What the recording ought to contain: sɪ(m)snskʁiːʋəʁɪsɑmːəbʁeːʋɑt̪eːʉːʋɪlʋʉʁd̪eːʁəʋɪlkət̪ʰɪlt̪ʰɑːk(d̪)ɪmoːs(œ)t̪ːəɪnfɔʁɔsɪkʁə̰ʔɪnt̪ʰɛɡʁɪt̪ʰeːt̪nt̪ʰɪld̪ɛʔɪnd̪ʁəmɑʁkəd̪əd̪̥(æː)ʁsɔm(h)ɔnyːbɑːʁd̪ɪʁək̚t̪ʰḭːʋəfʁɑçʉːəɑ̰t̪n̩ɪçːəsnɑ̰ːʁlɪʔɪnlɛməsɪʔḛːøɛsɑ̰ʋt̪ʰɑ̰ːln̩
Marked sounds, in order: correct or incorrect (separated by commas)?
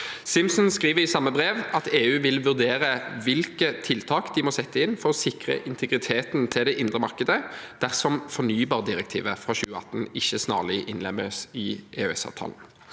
correct, correct, incorrect, incorrect, incorrect